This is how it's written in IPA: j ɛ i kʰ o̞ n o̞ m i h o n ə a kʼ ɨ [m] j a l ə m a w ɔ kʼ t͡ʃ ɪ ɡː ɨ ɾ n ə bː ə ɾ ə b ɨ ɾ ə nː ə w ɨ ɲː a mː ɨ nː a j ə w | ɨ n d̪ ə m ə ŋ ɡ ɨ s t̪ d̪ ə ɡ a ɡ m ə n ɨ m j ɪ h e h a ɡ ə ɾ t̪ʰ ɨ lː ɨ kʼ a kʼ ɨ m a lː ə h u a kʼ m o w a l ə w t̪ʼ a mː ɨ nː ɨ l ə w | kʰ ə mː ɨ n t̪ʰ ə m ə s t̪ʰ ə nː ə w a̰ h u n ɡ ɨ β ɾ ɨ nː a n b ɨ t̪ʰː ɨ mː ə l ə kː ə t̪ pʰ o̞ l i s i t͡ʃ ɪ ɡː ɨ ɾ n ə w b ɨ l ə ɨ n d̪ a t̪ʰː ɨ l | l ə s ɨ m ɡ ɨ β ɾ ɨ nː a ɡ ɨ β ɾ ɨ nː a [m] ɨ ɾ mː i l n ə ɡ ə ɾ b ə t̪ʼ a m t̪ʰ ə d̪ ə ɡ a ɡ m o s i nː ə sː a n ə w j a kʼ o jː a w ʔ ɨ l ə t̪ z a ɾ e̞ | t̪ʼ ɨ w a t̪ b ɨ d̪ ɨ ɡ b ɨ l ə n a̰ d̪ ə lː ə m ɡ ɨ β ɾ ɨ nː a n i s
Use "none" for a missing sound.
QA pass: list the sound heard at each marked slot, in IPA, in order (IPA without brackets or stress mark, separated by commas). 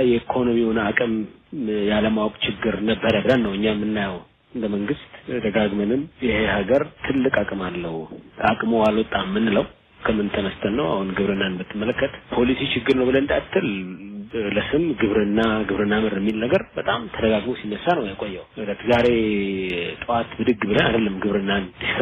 m, m